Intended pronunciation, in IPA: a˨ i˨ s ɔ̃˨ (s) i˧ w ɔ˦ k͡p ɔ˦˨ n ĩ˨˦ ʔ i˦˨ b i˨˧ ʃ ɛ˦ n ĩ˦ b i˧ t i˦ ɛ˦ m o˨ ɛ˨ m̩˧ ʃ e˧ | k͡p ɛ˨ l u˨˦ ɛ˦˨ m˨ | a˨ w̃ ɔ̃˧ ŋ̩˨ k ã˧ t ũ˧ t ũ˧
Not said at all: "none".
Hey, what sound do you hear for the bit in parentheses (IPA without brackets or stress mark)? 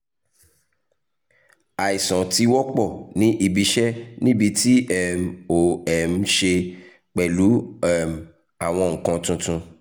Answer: t